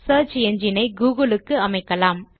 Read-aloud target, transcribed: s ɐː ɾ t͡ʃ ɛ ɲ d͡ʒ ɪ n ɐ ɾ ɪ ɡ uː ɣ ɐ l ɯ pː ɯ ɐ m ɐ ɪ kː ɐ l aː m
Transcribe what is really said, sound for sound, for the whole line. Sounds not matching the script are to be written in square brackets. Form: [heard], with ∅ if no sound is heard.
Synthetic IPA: s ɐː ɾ t͡ʃ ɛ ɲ d͡ʒ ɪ n ɐ [∅] ɪ ɡ uː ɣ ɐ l ɯ [kː] ɯ ɐ m ɐ ɪ kː ɐ l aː m